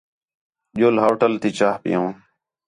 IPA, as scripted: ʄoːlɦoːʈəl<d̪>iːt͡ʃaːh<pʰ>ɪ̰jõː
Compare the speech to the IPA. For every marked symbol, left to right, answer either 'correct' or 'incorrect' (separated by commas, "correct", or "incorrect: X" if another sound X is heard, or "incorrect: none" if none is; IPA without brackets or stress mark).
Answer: incorrect: t̪, incorrect: p